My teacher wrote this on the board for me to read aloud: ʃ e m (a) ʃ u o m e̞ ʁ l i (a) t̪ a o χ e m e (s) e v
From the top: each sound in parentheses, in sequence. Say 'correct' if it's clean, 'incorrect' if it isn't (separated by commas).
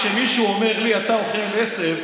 incorrect, correct, correct